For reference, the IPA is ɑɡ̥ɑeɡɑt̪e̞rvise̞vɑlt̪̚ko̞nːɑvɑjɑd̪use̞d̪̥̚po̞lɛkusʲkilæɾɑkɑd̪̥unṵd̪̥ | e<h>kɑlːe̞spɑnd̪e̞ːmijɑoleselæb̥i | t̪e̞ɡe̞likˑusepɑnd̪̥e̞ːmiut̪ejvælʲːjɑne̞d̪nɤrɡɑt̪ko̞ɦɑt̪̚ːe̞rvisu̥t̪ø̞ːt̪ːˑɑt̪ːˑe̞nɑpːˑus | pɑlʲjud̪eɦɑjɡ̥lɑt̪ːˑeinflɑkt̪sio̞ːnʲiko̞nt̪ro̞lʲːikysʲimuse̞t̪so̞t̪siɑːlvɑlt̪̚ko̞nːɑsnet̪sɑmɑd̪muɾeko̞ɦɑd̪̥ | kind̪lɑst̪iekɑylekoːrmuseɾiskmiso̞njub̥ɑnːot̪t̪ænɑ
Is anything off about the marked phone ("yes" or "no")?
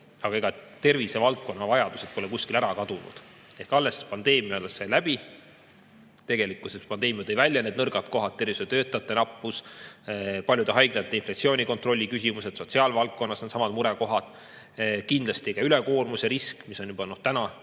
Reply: no